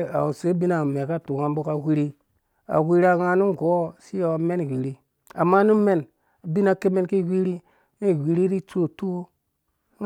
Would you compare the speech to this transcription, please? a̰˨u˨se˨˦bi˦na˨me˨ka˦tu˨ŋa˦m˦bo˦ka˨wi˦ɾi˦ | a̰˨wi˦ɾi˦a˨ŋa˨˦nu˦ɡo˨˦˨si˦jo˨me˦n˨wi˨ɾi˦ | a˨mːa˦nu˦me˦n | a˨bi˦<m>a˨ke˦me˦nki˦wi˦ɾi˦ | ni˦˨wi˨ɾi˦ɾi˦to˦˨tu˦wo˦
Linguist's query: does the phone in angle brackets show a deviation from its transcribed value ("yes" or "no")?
yes